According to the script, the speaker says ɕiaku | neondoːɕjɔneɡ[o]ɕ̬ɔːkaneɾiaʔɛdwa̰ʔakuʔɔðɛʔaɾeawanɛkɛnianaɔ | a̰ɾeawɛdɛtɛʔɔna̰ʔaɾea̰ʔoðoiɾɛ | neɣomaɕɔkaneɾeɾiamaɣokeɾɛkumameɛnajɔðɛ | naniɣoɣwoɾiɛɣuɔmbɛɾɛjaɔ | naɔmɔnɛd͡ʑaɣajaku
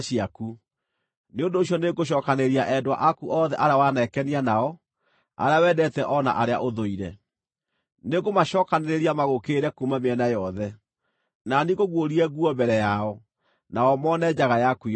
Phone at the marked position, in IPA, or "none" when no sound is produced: o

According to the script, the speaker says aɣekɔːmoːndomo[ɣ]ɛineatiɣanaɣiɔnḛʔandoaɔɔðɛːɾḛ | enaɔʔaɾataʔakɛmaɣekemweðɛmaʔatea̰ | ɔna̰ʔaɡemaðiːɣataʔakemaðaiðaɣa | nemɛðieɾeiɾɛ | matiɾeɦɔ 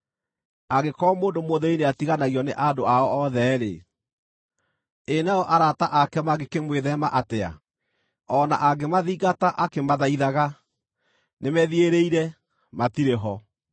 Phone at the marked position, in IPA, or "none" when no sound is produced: ð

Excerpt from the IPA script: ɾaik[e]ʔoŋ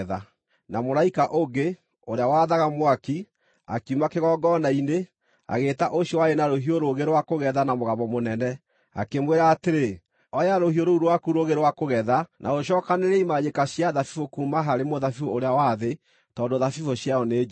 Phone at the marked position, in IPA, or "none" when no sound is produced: a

